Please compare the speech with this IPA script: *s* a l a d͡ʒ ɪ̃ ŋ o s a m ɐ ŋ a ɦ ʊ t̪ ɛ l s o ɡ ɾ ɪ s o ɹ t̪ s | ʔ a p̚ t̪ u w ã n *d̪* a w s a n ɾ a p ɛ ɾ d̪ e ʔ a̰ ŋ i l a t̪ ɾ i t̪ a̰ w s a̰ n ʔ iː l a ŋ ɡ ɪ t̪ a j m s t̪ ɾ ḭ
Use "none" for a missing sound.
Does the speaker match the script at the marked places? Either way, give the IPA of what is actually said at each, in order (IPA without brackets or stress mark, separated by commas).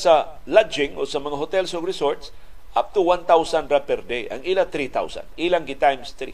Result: s, t̪